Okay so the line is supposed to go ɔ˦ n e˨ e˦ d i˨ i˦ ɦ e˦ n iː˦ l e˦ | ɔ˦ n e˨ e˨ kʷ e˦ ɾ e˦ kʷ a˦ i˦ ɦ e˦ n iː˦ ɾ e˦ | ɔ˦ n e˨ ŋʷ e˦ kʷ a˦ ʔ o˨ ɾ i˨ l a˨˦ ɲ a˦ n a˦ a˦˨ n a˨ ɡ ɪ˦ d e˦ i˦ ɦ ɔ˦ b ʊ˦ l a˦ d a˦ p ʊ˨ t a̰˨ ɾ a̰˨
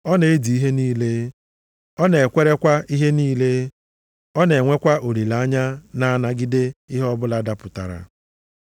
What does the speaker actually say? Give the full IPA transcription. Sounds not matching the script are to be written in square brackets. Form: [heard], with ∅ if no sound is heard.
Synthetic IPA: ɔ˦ n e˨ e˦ d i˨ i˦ ɦ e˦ n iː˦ l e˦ | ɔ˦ n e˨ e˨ kʷ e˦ ɾ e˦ kʷ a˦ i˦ ɦ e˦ n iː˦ [l] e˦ | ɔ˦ n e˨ ŋʷ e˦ kʷ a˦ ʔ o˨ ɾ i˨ l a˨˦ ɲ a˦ n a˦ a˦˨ n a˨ ɡ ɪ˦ d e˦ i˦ ɦ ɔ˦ b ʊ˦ l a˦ d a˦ p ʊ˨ t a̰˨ ɾ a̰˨

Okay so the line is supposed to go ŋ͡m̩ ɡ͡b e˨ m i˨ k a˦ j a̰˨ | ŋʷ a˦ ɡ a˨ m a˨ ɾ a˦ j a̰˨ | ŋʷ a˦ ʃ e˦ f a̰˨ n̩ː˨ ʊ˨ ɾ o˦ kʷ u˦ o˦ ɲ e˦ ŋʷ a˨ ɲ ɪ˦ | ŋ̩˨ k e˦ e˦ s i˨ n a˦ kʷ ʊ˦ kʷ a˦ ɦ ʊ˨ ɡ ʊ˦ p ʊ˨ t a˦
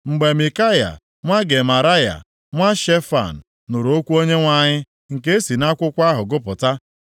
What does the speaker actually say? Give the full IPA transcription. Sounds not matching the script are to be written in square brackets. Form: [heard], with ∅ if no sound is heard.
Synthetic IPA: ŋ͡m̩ ɡ͡b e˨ m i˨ k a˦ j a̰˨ | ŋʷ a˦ ɡ [e˨] m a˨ ɾ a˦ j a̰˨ | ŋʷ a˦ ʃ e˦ f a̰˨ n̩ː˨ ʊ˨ ɾ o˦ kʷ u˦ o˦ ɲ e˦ ŋʷ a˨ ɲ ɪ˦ | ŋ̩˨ k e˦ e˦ s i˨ n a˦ kʷ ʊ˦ kʷ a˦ ɦ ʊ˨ ɡ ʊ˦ p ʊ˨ t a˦

